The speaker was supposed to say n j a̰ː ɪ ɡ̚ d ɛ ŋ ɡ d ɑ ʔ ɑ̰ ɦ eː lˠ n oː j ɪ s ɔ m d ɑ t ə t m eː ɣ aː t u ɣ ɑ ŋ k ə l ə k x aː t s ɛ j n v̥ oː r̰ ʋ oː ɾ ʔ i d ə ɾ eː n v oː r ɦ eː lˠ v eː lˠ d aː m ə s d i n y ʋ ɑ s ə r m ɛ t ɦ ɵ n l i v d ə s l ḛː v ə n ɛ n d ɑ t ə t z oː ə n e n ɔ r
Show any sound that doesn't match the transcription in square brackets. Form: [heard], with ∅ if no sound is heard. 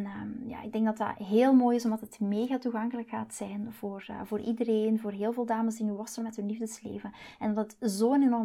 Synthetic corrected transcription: n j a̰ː ɪ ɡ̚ d ɛ ŋ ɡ d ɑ [t] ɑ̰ ɦ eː lˠ [m] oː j ɪ s ɔ m d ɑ t ə t m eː ɣ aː t u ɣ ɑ ŋ k ə l ə k x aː t s ɛ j n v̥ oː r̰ [v] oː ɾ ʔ i d ə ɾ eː n v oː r ɦ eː lˠ v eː lˠ d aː m ə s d i n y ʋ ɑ s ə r m ɛ t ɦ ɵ n l i v d ə s l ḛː v ə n ɛ n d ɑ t ə t z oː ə n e n ɔ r